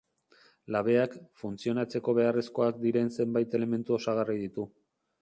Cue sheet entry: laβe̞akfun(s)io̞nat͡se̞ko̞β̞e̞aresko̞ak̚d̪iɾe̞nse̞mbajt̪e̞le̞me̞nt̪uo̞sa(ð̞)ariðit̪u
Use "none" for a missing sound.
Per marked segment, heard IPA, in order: t͡s, ɣ̞

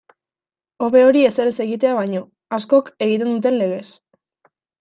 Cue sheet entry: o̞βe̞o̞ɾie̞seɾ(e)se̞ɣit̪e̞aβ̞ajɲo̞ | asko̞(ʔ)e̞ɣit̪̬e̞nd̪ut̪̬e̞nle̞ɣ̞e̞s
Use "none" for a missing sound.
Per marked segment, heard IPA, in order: e, k

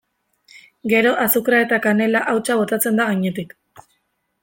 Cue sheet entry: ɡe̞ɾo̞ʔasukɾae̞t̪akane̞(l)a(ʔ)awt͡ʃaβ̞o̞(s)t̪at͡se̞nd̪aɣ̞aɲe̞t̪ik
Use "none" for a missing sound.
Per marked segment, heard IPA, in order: l, ʔ, none

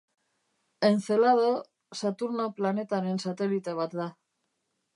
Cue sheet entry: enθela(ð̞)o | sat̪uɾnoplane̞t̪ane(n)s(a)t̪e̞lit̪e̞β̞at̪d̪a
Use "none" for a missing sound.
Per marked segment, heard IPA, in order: ð̞, n, a

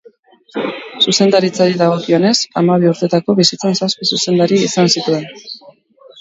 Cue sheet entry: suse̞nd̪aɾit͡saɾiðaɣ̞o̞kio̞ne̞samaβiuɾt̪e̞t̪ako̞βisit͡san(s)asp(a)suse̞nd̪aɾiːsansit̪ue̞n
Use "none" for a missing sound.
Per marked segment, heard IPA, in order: s, i

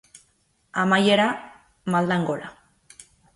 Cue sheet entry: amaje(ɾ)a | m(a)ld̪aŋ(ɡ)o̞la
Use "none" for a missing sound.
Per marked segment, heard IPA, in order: ɾ, a, ɡ

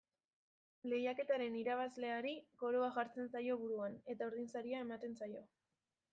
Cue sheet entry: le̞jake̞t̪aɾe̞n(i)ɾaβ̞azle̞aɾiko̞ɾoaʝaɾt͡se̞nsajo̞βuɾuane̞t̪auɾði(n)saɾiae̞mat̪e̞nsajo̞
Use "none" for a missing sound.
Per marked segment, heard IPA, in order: i, n

